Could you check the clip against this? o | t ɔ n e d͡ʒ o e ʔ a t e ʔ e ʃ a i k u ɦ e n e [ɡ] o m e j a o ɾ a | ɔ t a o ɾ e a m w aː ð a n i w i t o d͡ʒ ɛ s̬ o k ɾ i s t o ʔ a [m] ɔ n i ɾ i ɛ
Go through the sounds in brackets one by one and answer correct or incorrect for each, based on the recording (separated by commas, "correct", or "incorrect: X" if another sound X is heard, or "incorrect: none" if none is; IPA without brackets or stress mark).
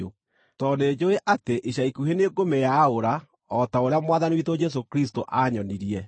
correct, incorrect: ɲ